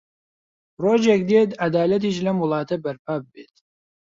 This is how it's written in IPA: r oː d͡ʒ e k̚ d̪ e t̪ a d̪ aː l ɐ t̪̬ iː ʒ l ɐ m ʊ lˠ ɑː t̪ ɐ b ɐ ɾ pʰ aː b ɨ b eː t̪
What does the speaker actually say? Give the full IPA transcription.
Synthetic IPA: r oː d͡ʒ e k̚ d̪ e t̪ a d̪ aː l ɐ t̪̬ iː ʃ l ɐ m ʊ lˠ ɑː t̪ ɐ b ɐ ɾ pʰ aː b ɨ b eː t̪